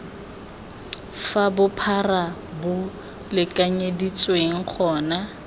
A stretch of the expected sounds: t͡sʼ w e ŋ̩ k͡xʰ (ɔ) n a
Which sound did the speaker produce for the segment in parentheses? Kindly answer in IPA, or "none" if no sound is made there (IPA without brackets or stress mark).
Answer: ɔː